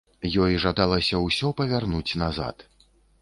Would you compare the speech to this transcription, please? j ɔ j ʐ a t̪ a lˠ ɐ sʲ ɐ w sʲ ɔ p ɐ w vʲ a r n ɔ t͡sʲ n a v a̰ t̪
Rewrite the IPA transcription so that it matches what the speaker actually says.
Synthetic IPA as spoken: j ɔ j ʐ a d̪ a lˠ ɐ sʲ ɐ w sʲ ɔ p ɐ vʲ a r n u t͡sʲ n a z a̰ t̪

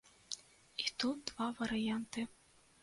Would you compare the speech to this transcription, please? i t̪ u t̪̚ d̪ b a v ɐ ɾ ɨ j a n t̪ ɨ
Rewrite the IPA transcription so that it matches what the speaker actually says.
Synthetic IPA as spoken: i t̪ u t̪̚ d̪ v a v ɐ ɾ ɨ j a n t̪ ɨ

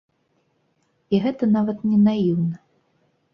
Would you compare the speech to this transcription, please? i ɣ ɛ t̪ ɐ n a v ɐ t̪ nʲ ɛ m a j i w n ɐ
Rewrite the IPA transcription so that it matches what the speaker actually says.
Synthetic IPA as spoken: i ɣ ɛ t̪ ɐ n a v ɐ t̪ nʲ ɛ n a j i w n ɐ

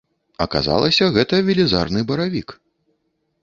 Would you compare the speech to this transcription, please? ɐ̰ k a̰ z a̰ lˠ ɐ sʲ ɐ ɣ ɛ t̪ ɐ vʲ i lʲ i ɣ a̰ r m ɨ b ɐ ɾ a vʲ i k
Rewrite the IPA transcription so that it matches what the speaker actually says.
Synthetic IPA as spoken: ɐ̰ k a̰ z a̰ lˠ ɐ sʲ ɐ ɣ ɛ t̪ ɐ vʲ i lʲ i z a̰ r n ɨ b ɐ ɾ a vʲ i k

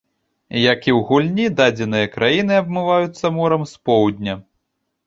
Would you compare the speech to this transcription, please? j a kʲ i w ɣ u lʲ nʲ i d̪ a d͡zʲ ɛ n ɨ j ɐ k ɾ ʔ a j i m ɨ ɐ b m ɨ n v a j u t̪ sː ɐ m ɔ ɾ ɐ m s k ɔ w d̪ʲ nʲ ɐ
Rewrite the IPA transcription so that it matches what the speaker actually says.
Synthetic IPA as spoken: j a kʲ i w ɣ u lʲ nʲ i d̪ a d͡zʲ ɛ n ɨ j ɐ k ɾ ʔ a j i n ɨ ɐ b m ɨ v a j u t̪ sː ɐ m ɔ ɾ ɐ m s p ɔ w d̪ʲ nʲ ɐ

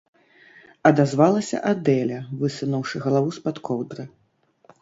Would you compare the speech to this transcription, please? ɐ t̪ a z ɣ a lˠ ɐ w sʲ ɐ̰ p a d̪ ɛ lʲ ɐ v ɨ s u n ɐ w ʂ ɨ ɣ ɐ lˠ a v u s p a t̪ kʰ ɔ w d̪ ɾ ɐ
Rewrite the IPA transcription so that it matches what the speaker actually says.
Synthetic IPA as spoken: ɐ d̪ a z v a lˠ ɐ sʲ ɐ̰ ʔ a d̪ ɛ lʲ ɐ v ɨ s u n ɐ w ʂ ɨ ɣ ɐ lˠ a v u s p a t̪ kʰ ɔ w d̪ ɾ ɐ

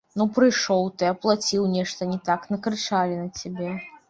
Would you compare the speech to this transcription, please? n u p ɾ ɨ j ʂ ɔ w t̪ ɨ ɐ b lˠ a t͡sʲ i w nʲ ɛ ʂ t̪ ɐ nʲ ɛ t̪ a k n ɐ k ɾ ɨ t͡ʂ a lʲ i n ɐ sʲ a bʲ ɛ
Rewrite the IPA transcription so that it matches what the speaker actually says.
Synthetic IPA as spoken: n u p ɾ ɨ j ʂ ɔ w t̪ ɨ ɐ p lˠ a t͡sʲ i w nʲ ɛ ʂ t̪ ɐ nʲ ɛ t̪ a k n ɐ k ɾ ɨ t͡ʂ a lʲ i n ɐ t͡sʲ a bʲ ɛ

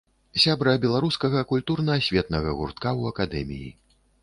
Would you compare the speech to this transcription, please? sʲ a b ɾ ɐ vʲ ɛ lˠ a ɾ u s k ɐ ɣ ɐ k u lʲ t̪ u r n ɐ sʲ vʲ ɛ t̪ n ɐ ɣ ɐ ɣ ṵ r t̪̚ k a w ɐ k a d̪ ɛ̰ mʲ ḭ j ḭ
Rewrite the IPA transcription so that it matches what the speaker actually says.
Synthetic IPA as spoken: sʲ a b ɾ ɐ bʲ ɛ lˠ a ɾ u s k ɐ ɣ ɐ k u lʲ t̪ u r n ɐ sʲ vʲ ɛ t̪ n ɐ ɣ ɐ ɣ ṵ r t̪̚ k a w ɐ k a d̪ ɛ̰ mʲ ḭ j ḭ

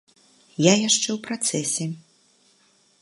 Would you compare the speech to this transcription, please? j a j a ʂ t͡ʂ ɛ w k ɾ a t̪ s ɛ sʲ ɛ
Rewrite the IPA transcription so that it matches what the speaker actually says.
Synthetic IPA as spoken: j a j a ʂ t͡ʂ ɛ w p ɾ a t̪ s ɛ sʲ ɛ

